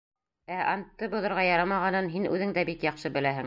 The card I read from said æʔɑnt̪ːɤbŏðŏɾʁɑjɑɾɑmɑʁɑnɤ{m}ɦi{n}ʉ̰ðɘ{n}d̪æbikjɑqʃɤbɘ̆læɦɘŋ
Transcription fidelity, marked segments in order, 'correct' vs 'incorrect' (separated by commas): incorrect, correct, incorrect